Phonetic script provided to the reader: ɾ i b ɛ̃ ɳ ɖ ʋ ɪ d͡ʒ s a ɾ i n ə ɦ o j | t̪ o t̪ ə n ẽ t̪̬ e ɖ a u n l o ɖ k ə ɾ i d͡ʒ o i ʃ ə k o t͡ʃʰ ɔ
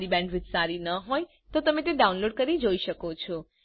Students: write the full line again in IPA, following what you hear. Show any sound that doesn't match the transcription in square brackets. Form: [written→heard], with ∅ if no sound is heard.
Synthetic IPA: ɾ i b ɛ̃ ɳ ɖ ʋ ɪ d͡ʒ s a ɾ i n ə ɦ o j | t̪ o t̪ ə [n→m] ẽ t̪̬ e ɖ a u n l o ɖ k ə ɾ i d͡ʒ o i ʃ ə k o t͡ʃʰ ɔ